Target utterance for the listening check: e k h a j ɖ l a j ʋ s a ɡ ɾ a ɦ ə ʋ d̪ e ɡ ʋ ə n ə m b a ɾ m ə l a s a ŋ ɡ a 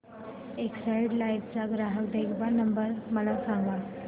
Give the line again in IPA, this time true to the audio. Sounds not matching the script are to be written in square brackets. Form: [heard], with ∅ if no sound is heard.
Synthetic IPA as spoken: e k [s] a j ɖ l a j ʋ [t͡s] a ɡ ɾ a ɦ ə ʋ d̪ e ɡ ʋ [a] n ə m b [ə] ɾ m ə l a s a ŋ ɡ a

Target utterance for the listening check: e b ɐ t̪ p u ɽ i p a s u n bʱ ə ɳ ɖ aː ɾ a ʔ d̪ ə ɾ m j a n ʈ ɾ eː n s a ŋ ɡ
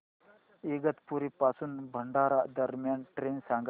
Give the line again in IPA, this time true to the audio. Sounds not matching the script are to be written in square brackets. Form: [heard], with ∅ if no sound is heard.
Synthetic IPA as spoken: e [ɡ] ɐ t̪ p u [ɾ] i p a s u n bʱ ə ɳ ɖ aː ɾ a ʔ d̪ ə ɾ m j a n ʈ ɾ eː n s a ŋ ɡ

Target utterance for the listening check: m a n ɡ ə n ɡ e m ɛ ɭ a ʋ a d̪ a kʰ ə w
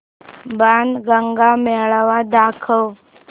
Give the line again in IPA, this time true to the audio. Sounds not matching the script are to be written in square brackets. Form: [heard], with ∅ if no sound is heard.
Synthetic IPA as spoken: [b] a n ɡ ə [ŋ] ɡ [a] m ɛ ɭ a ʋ a d̪ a kʰ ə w

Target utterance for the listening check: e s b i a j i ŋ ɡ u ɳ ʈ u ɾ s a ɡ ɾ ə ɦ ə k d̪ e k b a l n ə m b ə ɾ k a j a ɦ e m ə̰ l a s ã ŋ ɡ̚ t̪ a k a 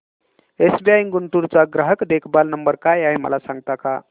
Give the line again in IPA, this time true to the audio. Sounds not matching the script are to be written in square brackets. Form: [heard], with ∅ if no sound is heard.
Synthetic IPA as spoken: e s b i a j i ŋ ɡ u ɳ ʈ u ɾ [t͡s] a ɡ ɾ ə ɦ ə k d̪ e [kʰ] b a l n ə m b ə ɾ k a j a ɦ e m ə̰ l a s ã ŋ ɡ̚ t̪ a k a

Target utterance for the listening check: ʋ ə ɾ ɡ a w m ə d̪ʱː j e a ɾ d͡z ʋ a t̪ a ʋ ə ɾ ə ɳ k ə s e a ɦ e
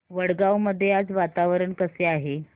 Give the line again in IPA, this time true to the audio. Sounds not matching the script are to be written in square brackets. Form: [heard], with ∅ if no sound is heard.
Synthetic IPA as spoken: ʋ ə [ɽ] ɡ a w m ə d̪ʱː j e a [∅] d͡z ʋ a t̪ a ʋ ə ɾ ə ɳ k ə s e a ɦ e

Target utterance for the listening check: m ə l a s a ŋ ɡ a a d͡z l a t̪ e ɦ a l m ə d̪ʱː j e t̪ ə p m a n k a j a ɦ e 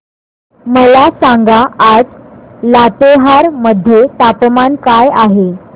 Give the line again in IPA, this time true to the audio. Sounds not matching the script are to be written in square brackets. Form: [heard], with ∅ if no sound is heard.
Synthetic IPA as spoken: m ə l a s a ŋ ɡ a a d͡z l a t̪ e ɦ a [ɾ] m ə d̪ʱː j e t̪ [a] p m a n k a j a ɦ e

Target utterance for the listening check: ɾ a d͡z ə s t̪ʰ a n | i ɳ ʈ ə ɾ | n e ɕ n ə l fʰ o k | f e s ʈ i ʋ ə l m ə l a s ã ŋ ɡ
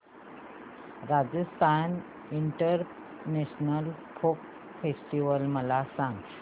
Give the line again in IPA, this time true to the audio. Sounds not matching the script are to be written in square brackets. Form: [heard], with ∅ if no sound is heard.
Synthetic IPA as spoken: ɾ a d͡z ə s t̪ʰ a n | i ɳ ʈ ə ɾ | n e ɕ n ə l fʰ o k | f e s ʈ i ʋ ə l m ə l a s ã ŋ ɡ

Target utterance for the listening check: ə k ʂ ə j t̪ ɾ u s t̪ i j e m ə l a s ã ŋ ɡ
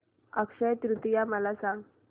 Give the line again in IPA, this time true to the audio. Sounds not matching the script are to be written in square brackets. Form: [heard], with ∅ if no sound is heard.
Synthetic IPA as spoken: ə k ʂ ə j t̪ ɾ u [∅] t̪ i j [a] m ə l a s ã ŋ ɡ

